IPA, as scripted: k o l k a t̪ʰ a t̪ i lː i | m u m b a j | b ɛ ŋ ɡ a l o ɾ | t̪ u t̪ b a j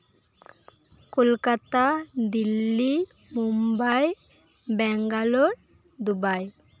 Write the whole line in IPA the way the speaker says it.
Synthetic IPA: k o l k a t̪ a d̪ i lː i | m u m b a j | b ɛ ŋ ɡ a l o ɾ | d̪ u b a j

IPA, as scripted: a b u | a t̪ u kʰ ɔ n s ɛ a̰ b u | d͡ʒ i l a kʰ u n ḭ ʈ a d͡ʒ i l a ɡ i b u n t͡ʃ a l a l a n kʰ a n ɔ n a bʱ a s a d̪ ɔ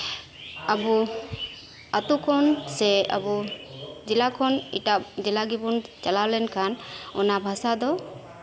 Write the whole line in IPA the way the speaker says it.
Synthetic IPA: a b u | a t̪ u kʰ ɔ n s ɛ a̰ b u | d͡ʒ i l a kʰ ɔ n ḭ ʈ a d͡ʒ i l a ɡ i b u n t͡ʃ a l a l ɛ n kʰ a n ɔ n a bʱ a s a d̪ ɔ

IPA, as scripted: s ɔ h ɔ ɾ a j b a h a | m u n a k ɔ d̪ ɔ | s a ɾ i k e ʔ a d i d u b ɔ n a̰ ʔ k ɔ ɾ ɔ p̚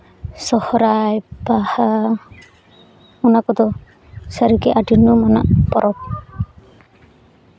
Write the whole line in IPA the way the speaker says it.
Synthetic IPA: s ɔ h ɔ ɾ a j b a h a | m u n a k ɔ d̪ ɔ | s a ɾ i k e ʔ a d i n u m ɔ n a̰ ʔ p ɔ ɾ ɔ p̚

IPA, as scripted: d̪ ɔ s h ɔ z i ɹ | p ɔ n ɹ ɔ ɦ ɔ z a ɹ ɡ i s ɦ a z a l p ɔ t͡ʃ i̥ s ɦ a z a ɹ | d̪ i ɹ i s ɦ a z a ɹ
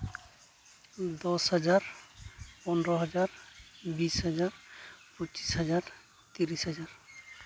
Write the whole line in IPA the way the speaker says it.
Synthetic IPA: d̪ ɔ s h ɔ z a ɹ | p ɔ n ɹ ɔ ɦ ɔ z a ɹ b i s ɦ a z a ɹ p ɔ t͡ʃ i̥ s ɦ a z a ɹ | t̪ i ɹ i s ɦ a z a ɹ

